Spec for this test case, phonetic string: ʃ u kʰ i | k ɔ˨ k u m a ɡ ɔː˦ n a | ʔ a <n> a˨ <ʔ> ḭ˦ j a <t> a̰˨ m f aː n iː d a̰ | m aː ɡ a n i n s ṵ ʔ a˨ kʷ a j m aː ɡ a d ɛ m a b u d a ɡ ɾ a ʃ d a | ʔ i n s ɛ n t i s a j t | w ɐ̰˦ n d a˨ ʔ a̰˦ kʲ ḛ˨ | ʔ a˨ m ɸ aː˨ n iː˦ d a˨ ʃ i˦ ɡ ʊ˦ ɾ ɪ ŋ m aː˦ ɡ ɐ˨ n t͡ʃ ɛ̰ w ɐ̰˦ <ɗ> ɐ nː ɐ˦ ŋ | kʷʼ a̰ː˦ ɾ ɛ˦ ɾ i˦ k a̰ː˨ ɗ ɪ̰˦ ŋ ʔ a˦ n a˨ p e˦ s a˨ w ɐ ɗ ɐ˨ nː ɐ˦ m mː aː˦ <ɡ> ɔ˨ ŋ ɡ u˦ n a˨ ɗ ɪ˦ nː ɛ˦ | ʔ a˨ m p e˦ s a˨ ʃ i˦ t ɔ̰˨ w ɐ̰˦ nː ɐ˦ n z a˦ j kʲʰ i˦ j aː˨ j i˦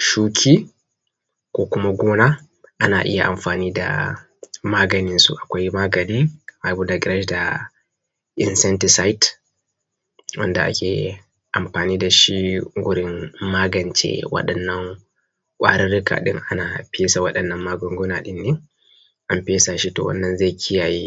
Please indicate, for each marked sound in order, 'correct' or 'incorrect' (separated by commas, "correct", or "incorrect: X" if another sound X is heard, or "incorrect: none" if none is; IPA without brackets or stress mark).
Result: correct, correct, incorrect: ʔ, correct, correct